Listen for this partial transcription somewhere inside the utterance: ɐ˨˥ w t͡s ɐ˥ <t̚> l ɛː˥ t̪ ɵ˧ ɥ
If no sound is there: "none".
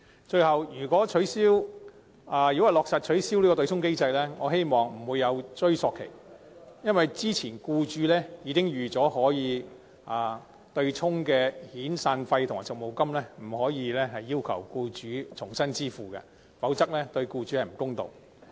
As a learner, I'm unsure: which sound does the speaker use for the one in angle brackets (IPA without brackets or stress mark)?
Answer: k̚